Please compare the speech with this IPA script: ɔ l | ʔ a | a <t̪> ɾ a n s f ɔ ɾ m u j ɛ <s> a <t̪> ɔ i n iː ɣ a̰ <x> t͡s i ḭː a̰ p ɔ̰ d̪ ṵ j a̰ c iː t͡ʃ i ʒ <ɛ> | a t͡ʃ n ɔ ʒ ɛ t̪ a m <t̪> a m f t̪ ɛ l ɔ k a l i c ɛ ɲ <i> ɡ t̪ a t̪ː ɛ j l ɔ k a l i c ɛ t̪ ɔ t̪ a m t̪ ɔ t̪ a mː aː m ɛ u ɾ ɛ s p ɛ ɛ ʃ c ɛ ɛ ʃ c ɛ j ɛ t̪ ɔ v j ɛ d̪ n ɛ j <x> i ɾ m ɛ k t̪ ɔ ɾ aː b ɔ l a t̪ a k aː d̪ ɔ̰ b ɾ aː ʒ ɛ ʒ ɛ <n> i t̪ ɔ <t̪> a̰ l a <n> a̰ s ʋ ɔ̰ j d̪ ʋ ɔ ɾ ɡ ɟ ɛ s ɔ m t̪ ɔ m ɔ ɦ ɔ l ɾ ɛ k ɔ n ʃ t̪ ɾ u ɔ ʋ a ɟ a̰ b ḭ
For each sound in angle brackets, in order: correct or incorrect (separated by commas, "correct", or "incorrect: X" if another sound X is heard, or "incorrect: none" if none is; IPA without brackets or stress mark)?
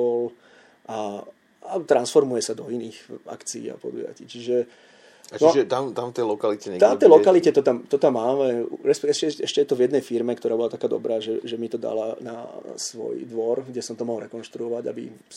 correct, correct, incorrect: d̪, incorrect: k, correct, correct, incorrect: ɛ, incorrect: f, incorrect: m, incorrect: d̪, correct